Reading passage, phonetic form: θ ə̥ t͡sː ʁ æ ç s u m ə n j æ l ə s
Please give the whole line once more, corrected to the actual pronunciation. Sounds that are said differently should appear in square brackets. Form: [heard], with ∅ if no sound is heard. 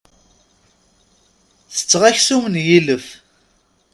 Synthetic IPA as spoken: θ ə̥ t͡sː ʁ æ ç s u m ə n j [i] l ə [f]